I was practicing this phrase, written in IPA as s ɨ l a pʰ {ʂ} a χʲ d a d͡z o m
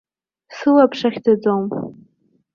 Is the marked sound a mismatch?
no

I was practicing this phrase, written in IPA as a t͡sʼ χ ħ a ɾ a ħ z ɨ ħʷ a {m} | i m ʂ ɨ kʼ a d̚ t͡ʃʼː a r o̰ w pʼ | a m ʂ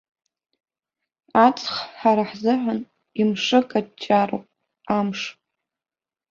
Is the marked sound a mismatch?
yes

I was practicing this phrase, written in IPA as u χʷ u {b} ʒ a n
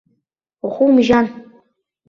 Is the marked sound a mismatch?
yes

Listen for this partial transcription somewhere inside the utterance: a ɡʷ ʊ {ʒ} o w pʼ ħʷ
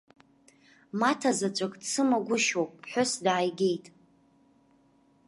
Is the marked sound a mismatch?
yes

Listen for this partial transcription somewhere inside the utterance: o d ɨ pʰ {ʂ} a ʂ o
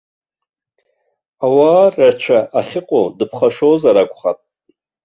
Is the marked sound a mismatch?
yes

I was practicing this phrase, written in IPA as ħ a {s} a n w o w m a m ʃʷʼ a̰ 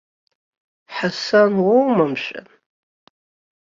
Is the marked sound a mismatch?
no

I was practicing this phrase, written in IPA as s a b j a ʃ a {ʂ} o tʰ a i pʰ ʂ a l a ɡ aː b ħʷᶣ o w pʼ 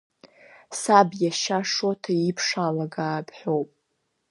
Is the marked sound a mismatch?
no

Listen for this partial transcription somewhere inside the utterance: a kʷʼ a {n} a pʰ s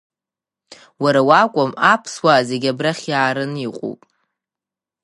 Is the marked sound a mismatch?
yes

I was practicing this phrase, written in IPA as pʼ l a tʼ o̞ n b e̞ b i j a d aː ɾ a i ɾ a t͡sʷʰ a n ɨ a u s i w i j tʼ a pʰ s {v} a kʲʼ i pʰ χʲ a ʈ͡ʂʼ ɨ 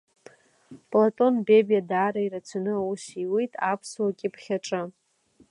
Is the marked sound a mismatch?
yes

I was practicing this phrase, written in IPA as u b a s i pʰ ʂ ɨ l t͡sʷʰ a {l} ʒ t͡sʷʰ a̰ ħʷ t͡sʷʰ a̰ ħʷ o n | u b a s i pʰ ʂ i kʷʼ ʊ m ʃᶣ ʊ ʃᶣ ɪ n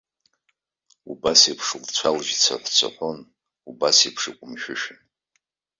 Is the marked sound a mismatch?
no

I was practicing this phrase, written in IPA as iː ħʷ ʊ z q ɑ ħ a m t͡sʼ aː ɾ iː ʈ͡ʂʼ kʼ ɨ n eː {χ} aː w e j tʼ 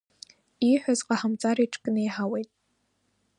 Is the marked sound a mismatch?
yes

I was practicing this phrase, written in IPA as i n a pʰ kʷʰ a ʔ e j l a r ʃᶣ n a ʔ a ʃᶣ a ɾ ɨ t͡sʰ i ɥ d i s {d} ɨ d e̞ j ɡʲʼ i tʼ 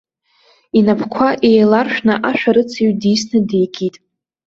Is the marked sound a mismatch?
yes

